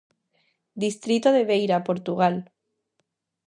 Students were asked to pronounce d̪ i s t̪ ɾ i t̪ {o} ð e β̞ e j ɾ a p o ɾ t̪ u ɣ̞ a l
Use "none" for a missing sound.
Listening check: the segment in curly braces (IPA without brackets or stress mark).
o